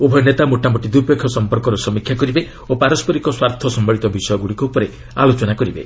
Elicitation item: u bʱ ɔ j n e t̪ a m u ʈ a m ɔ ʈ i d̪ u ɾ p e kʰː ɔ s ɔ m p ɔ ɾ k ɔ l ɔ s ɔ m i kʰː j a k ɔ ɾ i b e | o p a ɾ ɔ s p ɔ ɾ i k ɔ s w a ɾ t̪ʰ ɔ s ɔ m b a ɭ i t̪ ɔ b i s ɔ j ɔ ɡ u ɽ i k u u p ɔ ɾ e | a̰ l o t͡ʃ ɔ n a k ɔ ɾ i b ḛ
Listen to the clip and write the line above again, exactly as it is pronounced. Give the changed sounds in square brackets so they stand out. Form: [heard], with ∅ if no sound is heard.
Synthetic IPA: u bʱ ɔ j n e t̪ a m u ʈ a m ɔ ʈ i d̪ u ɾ p e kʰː ɔ s ɔ m p ɔ ɾ k ɔ [ɾ] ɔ s ɔ m i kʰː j a k ɔ ɾ i b e | o p a ɾ ɔ s p ɔ ɾ i k ɔ s w a ɾ t̪ʰ ɔ s ɔ m b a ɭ i t̪ ɔ b i s ɔ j ɔ ɡ u ɽ i k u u p ɔ ɾ e | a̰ l o t͡ʃ ɔ n a k ɔ ɾ i b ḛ